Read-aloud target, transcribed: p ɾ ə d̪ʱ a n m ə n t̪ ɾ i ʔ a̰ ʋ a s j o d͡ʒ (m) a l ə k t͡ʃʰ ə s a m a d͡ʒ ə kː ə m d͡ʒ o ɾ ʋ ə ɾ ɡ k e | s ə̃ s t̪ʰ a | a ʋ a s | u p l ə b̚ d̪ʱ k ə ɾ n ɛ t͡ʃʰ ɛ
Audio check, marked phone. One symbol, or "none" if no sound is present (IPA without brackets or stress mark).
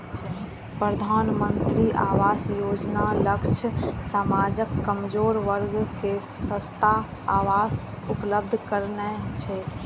n